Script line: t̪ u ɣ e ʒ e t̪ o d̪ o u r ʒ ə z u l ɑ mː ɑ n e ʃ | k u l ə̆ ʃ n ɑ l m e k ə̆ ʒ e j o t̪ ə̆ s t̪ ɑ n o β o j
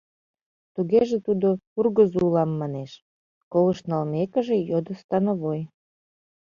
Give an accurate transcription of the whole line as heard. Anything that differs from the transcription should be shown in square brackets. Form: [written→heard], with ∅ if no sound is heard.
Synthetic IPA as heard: t̪ u ɣ e ʒ e t̪ [o→u] d̪ o u r [ʒ→ɣ] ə z u l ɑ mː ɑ n e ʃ | k [u→o] l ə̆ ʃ n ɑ l m e k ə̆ ʒ e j o [t̪→d̪] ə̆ s t̪ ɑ n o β o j